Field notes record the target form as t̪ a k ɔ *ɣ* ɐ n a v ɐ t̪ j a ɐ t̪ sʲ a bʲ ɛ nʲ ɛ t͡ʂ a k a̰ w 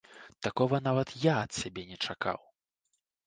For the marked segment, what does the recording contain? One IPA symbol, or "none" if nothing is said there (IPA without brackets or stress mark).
v